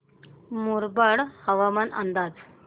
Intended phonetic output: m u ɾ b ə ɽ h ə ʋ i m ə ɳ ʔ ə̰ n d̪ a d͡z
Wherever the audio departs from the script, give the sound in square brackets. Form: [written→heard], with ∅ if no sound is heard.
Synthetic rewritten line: m u ɾ b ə ɽ h ə ʋ [i→a] m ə [ɳ→n] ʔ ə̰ n d̪ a d͡z